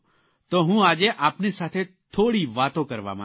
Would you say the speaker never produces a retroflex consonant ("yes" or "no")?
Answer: no